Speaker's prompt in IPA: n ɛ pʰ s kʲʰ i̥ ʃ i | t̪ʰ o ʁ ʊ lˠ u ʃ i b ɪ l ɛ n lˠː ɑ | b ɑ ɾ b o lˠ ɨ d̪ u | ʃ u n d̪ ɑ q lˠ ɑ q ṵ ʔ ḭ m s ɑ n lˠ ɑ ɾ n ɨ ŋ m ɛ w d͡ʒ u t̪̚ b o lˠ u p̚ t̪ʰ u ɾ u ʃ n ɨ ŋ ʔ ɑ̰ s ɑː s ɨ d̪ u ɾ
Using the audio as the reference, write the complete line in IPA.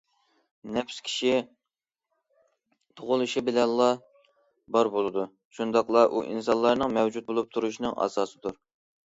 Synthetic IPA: n ɛ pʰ s kʲʰ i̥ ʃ i | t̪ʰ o ʁ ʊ lˠ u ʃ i b ɪ l ɛ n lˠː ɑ | b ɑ ɾ b o lˠ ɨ d̪ u | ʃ u n d̪ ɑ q lˠ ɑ ʔ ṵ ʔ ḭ n s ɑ n lˠ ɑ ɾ n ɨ ŋ m ɛ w d͡ʒ u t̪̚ b o lˠ u p̚ t̪ʰ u ɾ u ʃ n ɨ ŋ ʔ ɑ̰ s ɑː s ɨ d̪ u ɾ